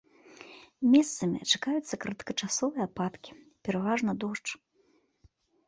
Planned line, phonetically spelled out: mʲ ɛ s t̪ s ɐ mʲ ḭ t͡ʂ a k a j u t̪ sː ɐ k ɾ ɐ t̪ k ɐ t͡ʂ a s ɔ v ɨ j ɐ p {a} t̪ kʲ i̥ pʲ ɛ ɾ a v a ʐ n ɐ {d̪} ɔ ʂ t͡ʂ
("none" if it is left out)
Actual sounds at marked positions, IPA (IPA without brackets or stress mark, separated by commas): a, d̪